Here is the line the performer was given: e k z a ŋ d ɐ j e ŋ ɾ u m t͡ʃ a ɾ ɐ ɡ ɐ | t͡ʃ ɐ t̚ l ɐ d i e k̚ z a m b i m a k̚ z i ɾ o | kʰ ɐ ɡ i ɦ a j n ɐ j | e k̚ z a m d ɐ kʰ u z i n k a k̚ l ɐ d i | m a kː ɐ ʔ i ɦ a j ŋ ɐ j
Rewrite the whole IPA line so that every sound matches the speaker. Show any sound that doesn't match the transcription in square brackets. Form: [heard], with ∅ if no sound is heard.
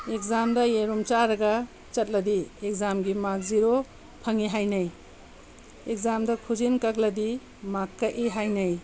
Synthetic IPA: e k z a [m] d ɐ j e [∅] ɾ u m t͡ʃ a ɾ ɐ ɡ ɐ | t͡ʃ ɐ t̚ l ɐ d i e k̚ z a m [ɡ] i m a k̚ z i ɾ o | [pʰ] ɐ [ŋ] i ɦ a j n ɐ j | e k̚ z a m d ɐ kʰ u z i n k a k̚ l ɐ d i | m a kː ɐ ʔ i ɦ a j [n] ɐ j